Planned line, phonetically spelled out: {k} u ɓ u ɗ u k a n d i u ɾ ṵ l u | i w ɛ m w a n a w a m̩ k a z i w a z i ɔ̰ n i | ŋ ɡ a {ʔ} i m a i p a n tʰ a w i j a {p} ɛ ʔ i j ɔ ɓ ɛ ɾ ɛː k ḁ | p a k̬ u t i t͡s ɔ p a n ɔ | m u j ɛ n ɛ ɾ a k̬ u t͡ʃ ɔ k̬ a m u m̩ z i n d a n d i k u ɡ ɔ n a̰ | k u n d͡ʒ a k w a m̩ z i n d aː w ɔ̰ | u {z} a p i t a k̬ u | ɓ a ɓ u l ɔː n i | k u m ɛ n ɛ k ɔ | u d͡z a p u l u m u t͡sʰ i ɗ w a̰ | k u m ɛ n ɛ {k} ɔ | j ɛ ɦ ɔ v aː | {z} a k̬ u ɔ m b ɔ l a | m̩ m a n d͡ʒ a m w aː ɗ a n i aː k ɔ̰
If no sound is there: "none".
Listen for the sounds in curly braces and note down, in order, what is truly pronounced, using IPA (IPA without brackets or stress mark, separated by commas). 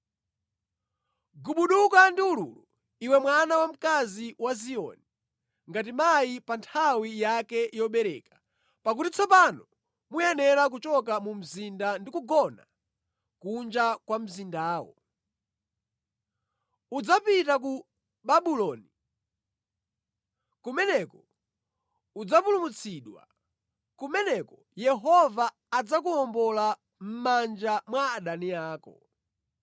ɡ, t, k, d͡z, k, d͡z